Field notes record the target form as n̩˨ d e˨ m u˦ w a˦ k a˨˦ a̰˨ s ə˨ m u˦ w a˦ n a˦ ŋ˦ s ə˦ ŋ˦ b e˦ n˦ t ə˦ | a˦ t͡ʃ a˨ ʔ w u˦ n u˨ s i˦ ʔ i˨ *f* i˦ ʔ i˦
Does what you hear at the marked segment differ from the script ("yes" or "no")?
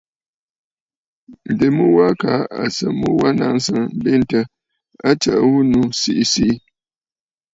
yes